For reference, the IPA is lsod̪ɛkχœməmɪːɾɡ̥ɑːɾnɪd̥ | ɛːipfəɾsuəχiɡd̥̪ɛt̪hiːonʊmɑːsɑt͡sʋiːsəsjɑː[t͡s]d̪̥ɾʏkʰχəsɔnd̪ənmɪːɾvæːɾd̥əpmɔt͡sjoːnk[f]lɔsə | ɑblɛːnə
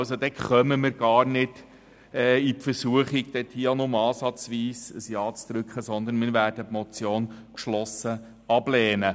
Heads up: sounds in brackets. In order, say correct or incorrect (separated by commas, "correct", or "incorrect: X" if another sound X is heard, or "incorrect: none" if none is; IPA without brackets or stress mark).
correct, incorrect: ʃ